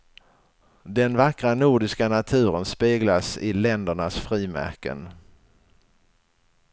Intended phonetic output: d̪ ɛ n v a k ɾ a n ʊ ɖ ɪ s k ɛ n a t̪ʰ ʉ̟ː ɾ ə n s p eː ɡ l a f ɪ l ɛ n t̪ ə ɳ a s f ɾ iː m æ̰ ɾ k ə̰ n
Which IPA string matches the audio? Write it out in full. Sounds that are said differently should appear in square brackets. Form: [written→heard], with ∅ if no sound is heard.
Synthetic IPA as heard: d̪ ɛ n v a k ɾ a n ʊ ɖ ɪ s k [ɛ→a] n a t̪ʰ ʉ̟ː ɾ ə n s p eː ɡ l a [f→s] ɪ l ɛ n [t̪→d̪] ə ɳ a s f ɾ iː m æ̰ ɾ k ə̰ n